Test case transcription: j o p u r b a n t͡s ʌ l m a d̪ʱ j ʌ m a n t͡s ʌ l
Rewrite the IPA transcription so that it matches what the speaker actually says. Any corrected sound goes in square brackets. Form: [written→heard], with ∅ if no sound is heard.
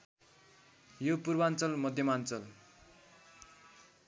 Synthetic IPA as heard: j o p u r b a n t͡s ʌ l m [a→ʌ] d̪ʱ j ʌ m a n t͡s ʌ l